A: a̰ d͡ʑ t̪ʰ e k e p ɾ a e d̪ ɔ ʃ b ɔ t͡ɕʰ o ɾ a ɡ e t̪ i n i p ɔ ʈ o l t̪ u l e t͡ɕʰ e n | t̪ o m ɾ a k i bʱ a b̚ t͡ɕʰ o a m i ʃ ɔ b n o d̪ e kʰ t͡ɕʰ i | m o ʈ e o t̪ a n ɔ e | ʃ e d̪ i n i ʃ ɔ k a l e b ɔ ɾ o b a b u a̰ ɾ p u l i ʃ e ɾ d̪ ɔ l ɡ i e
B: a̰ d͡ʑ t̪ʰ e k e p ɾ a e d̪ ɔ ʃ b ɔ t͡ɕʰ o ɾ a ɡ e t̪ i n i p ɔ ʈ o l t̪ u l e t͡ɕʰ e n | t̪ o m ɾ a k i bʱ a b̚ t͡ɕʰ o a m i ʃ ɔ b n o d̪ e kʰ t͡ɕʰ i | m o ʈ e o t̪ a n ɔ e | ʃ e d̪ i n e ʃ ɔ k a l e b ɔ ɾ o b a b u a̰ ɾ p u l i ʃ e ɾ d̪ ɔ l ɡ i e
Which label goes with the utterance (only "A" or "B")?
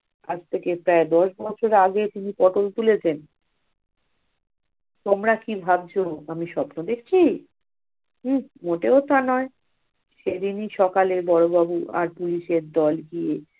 A